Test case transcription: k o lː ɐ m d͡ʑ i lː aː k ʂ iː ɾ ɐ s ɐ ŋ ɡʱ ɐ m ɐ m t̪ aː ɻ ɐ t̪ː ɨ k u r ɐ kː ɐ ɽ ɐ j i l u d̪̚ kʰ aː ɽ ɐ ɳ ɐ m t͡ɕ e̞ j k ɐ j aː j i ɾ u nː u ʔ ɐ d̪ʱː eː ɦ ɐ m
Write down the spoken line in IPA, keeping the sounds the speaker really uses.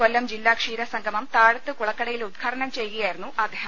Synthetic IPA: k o lː ɐ m d͡ʑ i lː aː k ʂ iː ɾ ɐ s ɐ ŋ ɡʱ ɐ m ɐ m t̪ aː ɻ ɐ t̪ː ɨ k u ɭ ɐ kː ɐ ɽ ɐ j i l u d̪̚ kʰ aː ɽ ɐ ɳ ɐ m t͡ɕ e̞ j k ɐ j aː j i ɾ u nː u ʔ ɐ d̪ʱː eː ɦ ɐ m